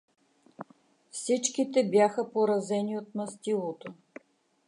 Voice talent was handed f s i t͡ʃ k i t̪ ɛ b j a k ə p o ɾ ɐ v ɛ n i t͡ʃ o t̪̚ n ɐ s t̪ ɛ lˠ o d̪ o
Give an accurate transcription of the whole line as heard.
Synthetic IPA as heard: f s i t͡ʃ k i t̪ ɛ b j a x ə p o ɾ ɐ z ɛ n i o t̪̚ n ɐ s t̪ i lˠ o t̪ o